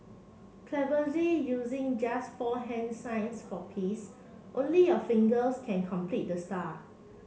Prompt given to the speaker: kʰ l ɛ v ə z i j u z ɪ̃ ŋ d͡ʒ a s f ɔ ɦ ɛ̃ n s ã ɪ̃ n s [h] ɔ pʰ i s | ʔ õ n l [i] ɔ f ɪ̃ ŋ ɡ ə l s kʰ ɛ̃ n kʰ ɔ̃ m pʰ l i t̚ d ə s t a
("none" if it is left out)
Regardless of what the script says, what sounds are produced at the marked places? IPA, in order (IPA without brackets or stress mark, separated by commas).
f, i